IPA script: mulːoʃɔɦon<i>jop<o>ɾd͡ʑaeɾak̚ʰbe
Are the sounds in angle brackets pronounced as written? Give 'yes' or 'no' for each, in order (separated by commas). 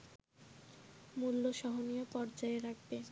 yes, no